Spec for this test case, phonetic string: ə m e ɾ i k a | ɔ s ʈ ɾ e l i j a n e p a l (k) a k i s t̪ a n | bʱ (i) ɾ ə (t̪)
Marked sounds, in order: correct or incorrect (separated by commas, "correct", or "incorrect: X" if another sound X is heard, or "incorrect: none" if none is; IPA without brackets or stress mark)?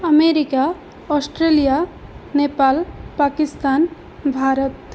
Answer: incorrect: p, incorrect: a, correct